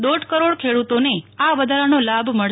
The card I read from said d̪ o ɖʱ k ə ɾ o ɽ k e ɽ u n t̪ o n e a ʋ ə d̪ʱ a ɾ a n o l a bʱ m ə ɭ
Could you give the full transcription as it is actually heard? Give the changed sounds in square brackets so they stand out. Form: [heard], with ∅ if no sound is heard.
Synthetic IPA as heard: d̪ o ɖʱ k ə ɾ o ɽ [kʰ] e ɽ u [∅] t̪ o n e a ʋ ə d̪ʱ a ɾ a n o l a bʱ m ə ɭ